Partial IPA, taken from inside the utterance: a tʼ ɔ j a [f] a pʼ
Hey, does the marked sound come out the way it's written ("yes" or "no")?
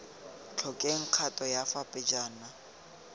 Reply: yes